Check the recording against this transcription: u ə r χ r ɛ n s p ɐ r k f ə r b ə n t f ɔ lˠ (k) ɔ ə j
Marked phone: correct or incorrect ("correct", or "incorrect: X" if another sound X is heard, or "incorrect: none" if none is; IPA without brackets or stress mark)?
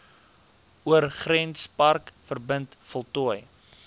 incorrect: t